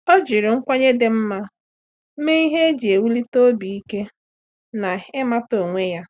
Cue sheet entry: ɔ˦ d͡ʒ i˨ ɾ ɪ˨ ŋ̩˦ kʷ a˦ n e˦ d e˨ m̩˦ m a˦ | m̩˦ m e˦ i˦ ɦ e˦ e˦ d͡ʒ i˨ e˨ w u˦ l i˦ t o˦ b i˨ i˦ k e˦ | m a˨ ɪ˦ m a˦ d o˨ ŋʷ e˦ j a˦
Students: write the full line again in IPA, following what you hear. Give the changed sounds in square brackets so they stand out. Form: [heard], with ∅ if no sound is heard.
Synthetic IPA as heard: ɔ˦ d͡ʒ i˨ ɾ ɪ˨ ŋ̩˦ kʷ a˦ [ɲ] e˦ d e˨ m̩˦ m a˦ | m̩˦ m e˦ i˦ ɦ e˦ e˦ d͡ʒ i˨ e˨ w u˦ l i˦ t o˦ b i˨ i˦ k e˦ | [n] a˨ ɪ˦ m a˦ [t] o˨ ŋʷ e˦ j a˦